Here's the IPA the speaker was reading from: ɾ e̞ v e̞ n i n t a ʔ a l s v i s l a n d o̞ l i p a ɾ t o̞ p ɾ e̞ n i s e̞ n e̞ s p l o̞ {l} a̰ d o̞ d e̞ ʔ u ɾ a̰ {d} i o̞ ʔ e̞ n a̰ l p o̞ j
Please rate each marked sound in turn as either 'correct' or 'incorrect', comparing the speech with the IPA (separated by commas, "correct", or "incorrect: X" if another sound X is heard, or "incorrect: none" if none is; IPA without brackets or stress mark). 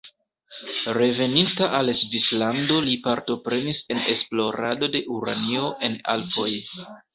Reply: incorrect: ɾ, incorrect: n